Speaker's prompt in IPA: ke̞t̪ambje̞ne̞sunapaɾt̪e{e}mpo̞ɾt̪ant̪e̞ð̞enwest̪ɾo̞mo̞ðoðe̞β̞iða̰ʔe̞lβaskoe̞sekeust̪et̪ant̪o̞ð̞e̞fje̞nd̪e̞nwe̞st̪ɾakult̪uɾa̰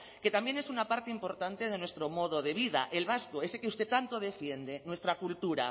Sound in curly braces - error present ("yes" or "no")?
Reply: yes